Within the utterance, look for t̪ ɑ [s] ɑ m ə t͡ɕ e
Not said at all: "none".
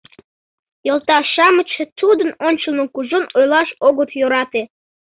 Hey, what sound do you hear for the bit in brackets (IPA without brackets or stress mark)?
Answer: ʃ